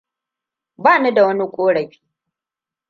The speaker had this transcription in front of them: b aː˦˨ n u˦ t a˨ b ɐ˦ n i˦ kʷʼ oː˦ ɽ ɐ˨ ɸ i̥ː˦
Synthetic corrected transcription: b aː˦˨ n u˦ d a˨ w ɐ˦ n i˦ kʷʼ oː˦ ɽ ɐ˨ ɸ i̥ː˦